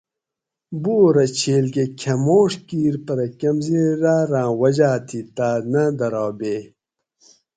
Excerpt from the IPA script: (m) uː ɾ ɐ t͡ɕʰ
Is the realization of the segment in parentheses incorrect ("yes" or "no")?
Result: yes